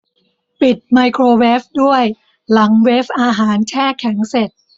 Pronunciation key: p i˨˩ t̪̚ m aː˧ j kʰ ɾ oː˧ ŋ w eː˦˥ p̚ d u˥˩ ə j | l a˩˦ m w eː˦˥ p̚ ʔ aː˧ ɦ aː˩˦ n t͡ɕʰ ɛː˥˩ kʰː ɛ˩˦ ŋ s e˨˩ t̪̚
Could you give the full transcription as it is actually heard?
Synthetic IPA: p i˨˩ t̪̚ m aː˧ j kʰ ɾ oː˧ w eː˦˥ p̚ d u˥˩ ə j | l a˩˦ ŋ w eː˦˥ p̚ ʔ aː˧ ɦ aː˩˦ n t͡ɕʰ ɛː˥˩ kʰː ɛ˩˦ ŋ s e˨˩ t̪̚

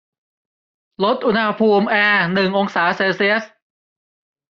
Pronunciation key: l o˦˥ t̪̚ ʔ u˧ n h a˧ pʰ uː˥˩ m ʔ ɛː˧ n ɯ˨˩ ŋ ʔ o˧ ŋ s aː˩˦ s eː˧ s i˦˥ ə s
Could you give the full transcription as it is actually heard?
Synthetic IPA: l o˦˥ t̪̚ ʔ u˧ n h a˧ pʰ uː˧ m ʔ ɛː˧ n ɯ˨˩ ŋ ʔ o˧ ŋ s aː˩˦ s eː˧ s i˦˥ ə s

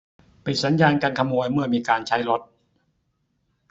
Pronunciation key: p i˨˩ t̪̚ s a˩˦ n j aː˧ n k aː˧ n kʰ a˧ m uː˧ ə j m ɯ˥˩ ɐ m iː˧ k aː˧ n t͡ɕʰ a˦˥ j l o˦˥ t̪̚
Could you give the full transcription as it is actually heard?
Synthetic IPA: p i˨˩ t̪̚ s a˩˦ n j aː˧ n k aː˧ n kʰ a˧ m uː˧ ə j m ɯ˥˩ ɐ m iː˧ k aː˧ n t͡ɕʰ a˦˥ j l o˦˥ t̪̚

